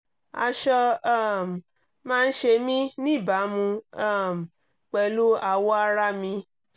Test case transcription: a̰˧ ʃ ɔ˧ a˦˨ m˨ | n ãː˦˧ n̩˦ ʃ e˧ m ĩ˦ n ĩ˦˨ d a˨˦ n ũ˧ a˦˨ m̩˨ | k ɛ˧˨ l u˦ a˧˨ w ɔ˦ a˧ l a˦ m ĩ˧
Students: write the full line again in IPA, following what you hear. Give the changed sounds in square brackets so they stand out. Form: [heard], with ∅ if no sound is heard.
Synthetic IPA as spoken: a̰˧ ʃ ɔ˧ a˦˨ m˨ | [m] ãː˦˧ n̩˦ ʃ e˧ m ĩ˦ n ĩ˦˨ [b] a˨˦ [m] ũ˧ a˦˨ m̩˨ | [k͡p] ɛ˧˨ l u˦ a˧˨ w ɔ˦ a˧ [ɾ] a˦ m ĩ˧